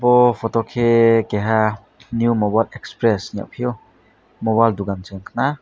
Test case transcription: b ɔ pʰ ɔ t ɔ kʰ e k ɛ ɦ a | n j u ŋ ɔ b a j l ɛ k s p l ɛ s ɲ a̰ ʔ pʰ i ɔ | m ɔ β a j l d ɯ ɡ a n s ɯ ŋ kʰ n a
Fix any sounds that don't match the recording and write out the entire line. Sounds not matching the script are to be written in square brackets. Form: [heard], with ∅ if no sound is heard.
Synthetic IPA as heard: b ɔ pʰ ɔ t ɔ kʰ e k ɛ ɦ a | n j u [m] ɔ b a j l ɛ k s p [ɾ] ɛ s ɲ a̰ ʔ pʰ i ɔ | m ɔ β a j l d [u] ɡ a n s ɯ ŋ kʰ n a